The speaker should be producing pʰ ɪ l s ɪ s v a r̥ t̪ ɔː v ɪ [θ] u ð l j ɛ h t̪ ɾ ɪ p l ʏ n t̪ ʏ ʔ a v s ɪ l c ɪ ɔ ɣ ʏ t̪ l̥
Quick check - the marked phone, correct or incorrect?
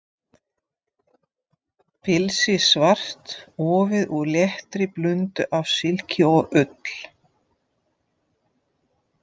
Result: incorrect